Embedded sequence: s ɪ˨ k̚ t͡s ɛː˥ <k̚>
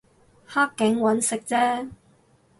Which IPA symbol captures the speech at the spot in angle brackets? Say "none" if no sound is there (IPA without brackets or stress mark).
none